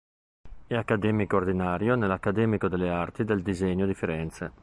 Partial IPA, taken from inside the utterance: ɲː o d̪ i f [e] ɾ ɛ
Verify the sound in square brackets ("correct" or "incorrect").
incorrect